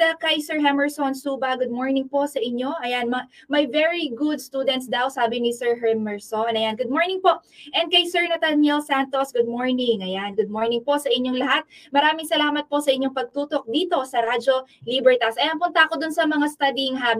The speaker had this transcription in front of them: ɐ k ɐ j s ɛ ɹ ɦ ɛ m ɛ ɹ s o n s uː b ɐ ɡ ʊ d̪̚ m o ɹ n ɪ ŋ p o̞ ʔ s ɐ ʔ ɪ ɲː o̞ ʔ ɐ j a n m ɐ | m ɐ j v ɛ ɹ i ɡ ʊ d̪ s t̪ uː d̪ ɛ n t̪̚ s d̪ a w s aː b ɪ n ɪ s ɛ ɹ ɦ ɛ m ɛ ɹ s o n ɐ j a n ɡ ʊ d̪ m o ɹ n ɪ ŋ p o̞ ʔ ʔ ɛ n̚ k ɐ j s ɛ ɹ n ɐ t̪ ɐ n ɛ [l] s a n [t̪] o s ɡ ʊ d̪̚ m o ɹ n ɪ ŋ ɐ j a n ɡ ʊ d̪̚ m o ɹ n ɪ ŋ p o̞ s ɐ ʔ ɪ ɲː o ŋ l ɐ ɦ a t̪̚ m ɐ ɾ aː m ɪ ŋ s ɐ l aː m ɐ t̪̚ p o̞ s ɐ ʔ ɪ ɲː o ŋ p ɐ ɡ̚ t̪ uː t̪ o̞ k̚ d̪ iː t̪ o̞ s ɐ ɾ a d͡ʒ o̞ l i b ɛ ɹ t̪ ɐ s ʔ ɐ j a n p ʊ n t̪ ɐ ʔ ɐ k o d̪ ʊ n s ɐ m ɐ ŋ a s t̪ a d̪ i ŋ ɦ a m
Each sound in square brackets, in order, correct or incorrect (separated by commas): correct, correct